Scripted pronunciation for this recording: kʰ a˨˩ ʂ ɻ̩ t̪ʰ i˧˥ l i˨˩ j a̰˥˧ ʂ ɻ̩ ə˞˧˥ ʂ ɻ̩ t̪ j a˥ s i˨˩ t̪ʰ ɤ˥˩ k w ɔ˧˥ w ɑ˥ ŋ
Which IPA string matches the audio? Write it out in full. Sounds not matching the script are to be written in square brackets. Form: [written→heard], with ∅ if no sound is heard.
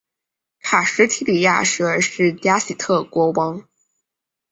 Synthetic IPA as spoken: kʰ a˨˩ ʂ ɻ̩ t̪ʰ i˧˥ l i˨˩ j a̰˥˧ ʂ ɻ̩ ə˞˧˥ ʂ ɻ̩ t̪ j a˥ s i˨˩ t̪ʰ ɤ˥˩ k w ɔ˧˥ w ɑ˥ ŋ